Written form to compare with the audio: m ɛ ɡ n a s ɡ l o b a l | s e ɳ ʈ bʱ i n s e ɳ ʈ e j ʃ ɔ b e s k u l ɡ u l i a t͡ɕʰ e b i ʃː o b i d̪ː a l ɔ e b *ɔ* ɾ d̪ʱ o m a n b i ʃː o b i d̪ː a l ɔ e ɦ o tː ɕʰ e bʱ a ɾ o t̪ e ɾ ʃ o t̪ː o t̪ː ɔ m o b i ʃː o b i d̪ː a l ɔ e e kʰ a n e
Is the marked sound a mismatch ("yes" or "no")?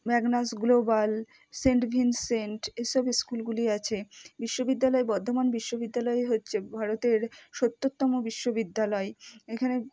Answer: no